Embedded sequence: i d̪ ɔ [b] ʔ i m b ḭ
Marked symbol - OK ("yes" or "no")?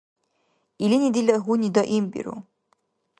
no